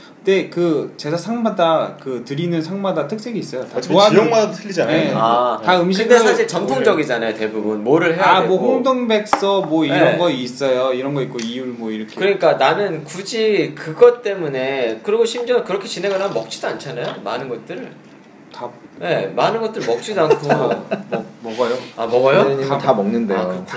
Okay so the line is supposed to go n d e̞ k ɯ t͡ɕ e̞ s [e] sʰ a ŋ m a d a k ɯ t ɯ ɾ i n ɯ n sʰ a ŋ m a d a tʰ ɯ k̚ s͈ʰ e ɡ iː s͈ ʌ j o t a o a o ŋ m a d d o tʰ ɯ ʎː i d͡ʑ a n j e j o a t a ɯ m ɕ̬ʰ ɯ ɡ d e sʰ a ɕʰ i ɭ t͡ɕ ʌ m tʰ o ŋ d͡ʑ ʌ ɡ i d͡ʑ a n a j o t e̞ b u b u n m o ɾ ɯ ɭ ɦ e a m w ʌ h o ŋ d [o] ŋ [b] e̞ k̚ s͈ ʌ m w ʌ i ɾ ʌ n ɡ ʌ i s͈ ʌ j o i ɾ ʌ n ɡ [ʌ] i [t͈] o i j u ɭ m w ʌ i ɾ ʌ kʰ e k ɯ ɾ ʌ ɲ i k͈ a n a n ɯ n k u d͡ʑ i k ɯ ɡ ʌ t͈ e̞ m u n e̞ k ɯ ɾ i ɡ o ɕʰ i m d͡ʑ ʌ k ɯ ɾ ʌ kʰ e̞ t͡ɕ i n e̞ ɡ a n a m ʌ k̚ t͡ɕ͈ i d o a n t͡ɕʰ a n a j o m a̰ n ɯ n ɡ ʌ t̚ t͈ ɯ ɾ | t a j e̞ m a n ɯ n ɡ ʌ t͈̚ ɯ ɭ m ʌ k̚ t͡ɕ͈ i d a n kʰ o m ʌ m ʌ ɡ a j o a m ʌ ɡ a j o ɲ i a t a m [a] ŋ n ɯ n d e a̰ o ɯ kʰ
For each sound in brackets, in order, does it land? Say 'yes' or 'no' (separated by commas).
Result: no, yes, yes, yes, no, no